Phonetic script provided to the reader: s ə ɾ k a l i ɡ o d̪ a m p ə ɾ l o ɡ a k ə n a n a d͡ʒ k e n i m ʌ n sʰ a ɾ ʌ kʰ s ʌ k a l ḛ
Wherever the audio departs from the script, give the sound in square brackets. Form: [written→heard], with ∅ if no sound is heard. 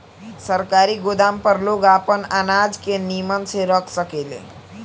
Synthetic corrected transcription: s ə ɾ k a [l→ɾ] i ɡ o d̪ a m p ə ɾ l o ɡ a [k→p] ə n a n a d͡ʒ k e n i m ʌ n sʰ [a→e] ɾ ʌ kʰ s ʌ k [a→e] l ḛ